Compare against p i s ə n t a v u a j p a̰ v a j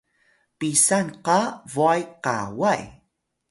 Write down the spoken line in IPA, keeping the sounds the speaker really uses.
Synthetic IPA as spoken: p i s a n q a v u a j q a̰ w a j